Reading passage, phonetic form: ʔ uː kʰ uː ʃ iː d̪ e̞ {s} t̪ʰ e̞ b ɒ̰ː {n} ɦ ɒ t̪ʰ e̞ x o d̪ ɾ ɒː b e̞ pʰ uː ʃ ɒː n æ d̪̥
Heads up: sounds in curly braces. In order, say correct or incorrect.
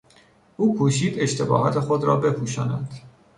incorrect: ʃ, incorrect: none

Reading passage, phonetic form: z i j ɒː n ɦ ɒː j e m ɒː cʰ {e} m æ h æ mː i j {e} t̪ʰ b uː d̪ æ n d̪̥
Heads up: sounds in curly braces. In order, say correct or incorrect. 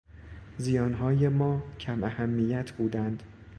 incorrect: æ, incorrect: æ

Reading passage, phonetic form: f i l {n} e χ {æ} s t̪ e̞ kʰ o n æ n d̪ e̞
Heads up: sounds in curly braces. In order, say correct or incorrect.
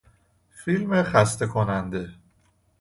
incorrect: m, correct

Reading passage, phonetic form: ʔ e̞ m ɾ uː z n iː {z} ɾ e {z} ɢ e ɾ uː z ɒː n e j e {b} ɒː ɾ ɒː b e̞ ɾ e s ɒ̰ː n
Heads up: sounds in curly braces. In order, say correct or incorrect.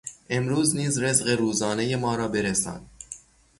correct, correct, incorrect: m

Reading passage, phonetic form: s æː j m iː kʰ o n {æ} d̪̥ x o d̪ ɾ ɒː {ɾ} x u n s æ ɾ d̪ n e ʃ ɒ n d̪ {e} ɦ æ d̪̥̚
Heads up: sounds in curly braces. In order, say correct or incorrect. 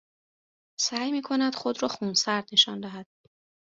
correct, incorrect: none, incorrect: æ

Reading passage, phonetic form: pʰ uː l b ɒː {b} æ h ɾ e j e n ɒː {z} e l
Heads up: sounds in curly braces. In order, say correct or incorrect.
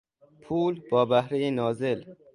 correct, correct

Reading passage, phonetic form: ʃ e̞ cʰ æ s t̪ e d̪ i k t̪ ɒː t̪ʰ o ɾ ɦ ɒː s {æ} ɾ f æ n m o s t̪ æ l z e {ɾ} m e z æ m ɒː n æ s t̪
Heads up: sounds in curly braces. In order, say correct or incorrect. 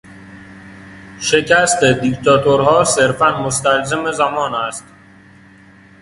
incorrect: e, incorrect: none

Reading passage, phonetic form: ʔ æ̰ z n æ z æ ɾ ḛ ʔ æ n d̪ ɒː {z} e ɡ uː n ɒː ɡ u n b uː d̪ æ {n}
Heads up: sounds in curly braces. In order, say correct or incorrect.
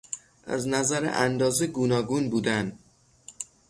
correct, correct

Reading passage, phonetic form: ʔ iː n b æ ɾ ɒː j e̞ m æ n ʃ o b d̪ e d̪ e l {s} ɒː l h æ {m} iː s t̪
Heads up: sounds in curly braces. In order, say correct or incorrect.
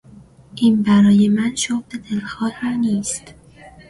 incorrect: x, incorrect: n

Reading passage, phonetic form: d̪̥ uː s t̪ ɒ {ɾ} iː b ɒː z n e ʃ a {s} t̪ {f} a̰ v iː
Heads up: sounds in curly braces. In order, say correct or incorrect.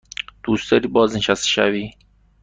correct, correct, incorrect: ʃ

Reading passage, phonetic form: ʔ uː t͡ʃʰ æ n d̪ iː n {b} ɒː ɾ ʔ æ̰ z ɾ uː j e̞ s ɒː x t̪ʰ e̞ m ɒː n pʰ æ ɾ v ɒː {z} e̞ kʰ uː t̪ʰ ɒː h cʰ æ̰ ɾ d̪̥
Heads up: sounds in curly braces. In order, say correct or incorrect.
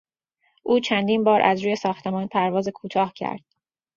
correct, correct

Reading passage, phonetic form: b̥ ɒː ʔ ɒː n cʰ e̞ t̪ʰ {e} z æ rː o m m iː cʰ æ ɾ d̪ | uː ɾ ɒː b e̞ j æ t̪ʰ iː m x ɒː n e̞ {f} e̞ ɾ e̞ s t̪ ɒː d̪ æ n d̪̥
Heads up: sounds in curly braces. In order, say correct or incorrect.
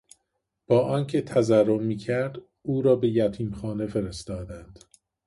incorrect: æ, correct

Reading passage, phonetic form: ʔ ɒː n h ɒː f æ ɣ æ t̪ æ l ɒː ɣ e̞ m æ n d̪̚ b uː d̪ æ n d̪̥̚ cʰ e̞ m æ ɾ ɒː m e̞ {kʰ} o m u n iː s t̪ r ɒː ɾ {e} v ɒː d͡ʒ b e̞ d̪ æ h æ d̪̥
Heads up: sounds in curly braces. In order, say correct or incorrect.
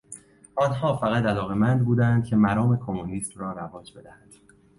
correct, incorrect: æ

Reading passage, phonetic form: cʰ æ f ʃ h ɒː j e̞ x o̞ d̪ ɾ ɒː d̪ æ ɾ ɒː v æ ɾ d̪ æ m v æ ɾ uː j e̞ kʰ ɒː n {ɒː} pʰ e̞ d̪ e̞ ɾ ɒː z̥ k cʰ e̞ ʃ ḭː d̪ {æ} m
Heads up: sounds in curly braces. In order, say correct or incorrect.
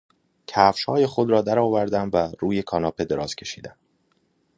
correct, correct

